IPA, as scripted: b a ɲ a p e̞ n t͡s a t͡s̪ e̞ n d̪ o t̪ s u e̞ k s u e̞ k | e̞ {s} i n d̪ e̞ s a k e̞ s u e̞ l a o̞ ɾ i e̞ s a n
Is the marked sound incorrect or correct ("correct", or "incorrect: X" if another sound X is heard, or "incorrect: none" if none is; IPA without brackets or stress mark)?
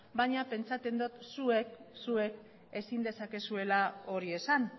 correct